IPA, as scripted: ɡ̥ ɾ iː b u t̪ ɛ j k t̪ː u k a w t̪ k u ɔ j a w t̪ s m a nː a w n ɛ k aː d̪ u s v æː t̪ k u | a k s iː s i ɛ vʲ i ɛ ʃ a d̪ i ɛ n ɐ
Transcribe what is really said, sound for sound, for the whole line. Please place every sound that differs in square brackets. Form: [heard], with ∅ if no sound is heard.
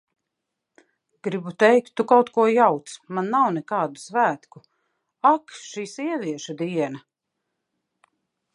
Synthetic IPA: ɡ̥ ɾ [i] b u t̪ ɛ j k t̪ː u k a w t̪ k u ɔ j a w t̪ s m a nː a w n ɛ k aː d̪ u s v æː t̪ k u | a k [ʃ] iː s i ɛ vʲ i ɛ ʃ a d̪ i ɛ n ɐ